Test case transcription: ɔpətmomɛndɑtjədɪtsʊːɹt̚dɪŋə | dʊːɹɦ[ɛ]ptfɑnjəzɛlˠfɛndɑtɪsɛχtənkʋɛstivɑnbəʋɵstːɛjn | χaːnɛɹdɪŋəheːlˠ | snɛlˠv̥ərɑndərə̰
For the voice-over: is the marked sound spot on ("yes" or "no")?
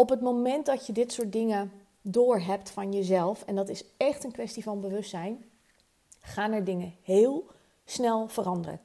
yes